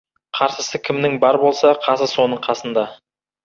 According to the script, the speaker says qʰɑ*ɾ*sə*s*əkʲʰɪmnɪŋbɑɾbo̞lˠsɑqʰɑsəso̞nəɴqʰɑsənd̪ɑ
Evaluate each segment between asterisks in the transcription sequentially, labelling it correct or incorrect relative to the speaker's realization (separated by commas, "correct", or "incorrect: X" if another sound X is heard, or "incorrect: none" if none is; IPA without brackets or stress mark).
correct, correct